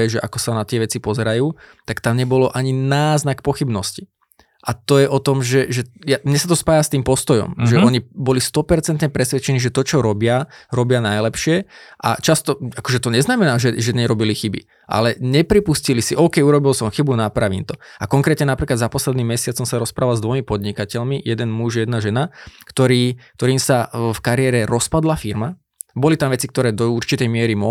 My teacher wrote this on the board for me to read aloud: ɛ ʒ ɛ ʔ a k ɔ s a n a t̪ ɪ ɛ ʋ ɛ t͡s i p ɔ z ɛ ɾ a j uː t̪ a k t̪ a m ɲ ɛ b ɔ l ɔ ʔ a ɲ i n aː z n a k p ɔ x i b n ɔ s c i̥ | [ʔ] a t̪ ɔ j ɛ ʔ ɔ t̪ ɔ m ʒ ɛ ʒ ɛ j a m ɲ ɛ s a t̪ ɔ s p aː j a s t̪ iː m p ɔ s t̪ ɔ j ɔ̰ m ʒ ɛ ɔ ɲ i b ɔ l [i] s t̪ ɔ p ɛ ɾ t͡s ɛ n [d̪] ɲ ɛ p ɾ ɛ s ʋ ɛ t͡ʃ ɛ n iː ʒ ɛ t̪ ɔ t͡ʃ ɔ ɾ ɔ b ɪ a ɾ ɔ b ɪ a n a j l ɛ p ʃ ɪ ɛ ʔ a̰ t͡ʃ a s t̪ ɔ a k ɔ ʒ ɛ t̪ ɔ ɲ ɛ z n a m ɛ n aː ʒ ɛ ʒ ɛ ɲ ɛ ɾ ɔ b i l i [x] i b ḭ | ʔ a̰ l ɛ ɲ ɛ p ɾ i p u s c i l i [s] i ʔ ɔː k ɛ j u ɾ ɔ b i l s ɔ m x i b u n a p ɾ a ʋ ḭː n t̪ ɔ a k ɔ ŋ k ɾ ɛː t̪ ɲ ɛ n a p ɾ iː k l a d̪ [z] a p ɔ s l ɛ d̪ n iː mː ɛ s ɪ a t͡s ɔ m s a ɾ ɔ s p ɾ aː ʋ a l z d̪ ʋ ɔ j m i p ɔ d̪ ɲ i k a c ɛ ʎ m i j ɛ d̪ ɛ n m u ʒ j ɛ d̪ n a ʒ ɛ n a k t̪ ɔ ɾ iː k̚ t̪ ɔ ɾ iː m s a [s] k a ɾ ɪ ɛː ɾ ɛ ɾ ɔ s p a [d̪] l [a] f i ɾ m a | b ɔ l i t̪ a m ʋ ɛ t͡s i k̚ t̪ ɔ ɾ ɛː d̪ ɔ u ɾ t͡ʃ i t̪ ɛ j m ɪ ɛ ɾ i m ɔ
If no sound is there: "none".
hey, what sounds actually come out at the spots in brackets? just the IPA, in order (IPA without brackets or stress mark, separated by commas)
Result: ʔ, i, t̪, x, s, z, f, d̪, a